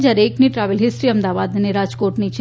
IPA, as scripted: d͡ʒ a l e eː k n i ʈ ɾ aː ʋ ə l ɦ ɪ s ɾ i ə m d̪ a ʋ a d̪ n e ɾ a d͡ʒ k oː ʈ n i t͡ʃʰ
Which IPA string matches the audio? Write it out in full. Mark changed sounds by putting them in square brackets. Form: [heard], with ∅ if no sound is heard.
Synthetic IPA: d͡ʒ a [ɾ] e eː k n i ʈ ɾ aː ʋ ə l ɦ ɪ s ɾ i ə m d̪ a ʋ a d̪ n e ɾ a d͡ʒ k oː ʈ n i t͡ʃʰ